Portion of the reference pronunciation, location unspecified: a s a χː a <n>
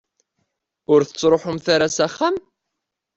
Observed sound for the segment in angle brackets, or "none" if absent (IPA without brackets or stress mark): m